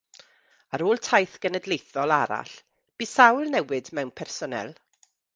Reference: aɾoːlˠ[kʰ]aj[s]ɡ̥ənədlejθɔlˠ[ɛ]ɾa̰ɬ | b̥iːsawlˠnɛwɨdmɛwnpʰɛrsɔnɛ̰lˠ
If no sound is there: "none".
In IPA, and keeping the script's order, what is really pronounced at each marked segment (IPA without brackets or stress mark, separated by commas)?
tʰ, θ, a